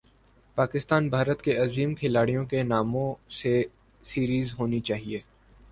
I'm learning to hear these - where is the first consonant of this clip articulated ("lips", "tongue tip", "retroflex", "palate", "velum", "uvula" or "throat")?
lips